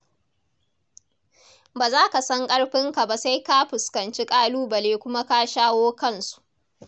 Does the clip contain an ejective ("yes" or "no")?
yes